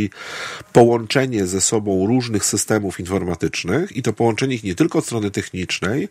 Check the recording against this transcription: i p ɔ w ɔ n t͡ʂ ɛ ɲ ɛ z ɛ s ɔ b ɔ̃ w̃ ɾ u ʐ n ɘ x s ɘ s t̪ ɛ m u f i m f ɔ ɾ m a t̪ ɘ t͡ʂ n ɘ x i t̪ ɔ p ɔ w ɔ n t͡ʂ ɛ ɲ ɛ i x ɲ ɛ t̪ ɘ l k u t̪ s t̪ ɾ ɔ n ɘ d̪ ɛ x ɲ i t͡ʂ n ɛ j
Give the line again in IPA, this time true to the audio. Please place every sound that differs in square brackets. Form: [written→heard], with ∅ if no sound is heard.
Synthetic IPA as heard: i p ɔ w ɔ n t͡ʂ ɛ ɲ ɛ z ɛ s ɔ b ɔ̃ w̃ ɾ u ʐ n ɘ x s ɘ s t̪ ɛ m u f i [m→n] f ɔ ɾ m a t̪ ɘ t͡ʂ n ɘ x i t̪ ɔ p ɔ w ɔ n t͡ʂ ɛ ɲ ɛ i x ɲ ɛ t̪ ɘ l k [u→ɔ] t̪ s t̪ ɾ ɔ n ɘ [d̪→t̪] ɛ x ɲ i t͡ʂ n ɛ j